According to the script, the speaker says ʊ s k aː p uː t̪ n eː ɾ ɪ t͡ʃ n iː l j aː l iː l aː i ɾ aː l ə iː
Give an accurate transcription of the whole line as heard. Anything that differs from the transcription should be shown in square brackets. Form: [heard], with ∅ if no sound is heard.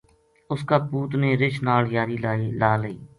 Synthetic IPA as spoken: ʊ s k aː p uː t̪ n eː ɾ ɪ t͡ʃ n [aː] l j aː [ɾ] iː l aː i [l] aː l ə iː